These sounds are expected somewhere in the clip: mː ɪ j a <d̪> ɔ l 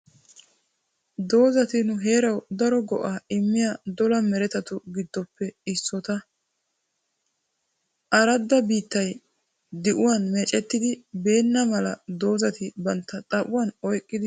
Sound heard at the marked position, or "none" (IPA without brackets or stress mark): d̪